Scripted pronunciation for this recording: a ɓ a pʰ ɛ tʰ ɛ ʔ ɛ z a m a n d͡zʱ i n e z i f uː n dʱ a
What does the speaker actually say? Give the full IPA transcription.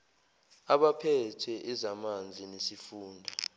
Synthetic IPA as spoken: a ɓ a pʰ ɛ tʰ ɛ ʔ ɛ z a m a n d͡zʱ i n e s i f uː n dʱ a